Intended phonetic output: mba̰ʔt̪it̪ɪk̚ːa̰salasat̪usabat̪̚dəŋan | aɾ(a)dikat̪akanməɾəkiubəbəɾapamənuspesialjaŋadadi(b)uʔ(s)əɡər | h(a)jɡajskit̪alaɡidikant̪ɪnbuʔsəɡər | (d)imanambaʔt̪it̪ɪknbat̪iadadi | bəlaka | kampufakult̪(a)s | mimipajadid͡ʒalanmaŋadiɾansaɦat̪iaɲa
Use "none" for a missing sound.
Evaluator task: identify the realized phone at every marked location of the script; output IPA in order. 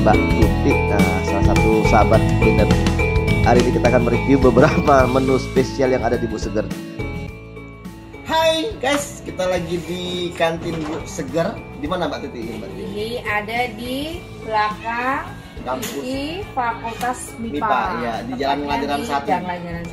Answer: i, b, s, a, d, a

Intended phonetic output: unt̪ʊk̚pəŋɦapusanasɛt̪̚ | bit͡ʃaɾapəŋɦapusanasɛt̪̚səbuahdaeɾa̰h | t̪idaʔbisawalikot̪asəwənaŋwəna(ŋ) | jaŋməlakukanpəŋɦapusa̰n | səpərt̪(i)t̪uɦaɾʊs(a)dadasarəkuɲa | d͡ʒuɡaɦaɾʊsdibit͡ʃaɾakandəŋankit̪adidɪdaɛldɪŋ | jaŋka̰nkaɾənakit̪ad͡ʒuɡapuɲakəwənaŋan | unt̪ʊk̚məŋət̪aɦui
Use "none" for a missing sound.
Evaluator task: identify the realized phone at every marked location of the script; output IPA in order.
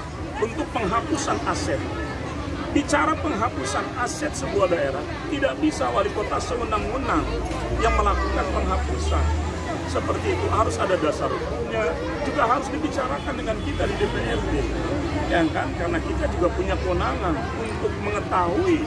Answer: ŋ, iː, a

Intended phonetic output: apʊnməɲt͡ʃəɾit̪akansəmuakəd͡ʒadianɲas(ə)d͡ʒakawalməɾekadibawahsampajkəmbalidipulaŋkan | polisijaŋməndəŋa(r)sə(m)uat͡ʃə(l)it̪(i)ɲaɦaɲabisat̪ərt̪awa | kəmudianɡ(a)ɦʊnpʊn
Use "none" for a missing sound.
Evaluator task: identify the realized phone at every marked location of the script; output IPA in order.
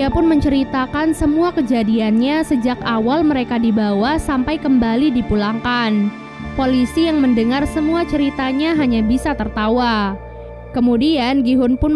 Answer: ə, r, m, ɾ, a, i

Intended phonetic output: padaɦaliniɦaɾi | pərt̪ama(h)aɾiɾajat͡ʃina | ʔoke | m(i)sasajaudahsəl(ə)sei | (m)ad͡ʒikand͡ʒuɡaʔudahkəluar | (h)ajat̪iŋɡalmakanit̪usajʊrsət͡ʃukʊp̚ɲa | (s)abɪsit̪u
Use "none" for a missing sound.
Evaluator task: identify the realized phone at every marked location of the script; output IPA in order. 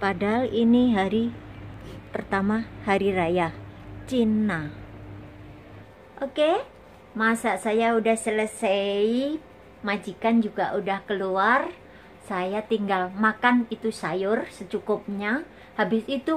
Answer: h, a, ə, m, s, h

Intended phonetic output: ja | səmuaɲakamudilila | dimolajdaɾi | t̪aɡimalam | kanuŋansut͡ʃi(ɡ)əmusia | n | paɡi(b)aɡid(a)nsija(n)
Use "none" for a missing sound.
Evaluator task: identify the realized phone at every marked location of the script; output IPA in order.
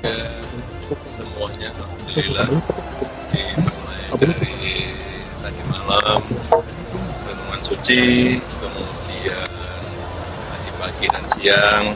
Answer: k, p, a, ŋ

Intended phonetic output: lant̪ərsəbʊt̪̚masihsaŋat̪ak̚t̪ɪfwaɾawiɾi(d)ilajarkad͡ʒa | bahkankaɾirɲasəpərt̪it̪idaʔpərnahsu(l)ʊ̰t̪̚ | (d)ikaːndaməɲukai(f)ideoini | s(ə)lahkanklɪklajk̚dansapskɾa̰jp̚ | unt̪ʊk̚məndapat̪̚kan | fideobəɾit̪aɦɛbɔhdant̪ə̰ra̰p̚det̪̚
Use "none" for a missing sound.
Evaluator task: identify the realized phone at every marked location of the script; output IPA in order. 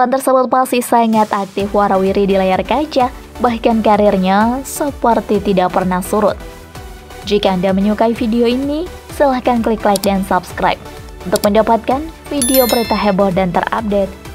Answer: d, ɾ, d͡ʒ, f, ə

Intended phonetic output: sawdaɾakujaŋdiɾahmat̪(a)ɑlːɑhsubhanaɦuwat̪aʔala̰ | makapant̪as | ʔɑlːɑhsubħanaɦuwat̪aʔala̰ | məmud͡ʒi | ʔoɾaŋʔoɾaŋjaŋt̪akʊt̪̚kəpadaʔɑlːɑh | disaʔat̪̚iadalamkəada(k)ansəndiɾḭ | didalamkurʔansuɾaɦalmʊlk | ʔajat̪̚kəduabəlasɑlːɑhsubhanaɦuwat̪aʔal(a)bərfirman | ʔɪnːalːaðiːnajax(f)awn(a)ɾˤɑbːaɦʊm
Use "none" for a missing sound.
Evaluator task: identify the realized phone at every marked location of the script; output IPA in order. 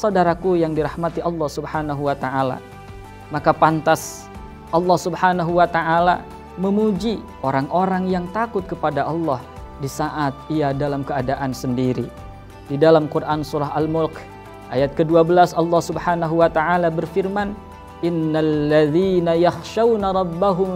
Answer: i, ʔ, a, ʃ, a

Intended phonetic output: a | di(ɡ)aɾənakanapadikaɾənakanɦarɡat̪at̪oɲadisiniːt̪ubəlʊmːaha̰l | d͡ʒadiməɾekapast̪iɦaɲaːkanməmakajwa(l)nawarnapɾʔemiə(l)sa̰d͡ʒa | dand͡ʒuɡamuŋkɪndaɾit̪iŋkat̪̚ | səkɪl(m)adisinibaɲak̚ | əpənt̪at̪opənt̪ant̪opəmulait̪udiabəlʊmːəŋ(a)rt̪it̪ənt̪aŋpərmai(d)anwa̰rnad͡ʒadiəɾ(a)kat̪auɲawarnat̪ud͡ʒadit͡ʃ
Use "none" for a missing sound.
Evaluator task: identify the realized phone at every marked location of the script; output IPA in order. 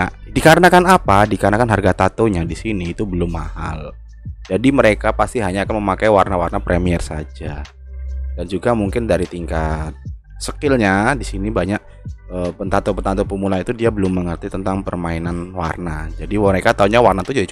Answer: k, r, r, ɲ, ə, n, e

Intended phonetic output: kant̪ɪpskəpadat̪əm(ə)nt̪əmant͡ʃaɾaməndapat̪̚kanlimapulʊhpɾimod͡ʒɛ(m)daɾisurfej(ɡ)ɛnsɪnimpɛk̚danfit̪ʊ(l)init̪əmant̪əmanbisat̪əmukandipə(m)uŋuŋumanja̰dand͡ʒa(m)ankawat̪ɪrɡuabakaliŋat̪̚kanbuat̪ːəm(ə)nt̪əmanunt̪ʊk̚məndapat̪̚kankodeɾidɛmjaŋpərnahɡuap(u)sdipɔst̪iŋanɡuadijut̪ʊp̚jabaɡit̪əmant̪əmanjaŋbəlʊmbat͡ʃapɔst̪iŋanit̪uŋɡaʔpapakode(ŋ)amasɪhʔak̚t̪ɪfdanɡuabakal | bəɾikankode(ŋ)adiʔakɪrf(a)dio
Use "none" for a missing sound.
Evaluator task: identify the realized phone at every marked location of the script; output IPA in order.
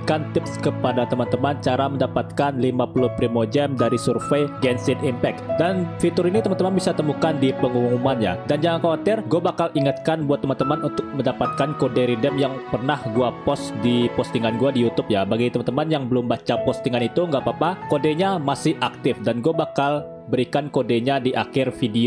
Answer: a, m, ɡ, ɾ, ŋ, ŋ, a, ɔ, ɲ, ɲ, i

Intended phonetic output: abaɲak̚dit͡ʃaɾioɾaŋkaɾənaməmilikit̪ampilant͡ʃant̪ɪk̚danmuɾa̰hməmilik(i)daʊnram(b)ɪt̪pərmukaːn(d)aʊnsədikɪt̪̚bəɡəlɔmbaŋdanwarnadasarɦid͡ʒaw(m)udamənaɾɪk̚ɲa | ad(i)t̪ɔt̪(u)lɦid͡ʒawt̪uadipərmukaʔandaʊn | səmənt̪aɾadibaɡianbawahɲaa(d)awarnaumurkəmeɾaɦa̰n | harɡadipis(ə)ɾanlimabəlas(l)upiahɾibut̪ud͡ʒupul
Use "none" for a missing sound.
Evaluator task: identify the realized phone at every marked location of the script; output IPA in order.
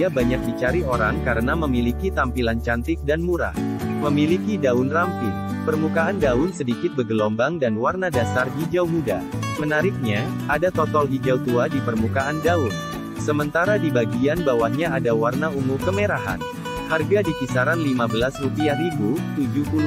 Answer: i, p, d, m, a, ɔ, d, a, r

